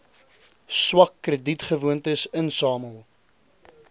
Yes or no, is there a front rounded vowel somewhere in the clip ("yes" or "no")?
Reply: no